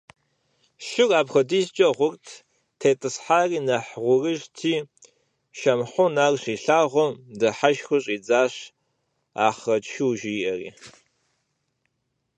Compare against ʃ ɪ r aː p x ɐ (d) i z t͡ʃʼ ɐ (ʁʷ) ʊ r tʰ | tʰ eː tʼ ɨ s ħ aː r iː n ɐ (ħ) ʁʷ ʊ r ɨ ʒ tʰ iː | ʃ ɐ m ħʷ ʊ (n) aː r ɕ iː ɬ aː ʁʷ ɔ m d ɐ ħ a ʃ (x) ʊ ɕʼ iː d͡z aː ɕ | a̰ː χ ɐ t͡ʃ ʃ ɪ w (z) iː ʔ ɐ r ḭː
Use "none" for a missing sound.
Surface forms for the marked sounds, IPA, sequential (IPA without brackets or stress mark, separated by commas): d, ʁʷ, ħ, n, x, ʒ